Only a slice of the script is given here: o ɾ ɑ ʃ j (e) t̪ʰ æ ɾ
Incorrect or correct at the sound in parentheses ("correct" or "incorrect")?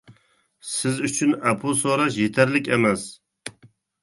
correct